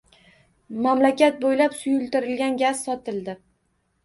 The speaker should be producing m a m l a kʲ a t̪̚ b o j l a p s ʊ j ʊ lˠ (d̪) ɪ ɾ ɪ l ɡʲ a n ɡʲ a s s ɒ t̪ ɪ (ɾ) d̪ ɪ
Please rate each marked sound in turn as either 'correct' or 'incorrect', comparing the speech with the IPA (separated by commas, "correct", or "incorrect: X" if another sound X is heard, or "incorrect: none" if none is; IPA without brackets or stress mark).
incorrect: t̪, incorrect: l